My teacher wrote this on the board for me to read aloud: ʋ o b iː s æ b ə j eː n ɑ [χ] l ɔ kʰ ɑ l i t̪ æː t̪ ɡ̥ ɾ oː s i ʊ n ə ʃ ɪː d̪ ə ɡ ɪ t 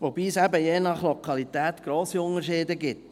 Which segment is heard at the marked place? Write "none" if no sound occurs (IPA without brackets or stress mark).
χ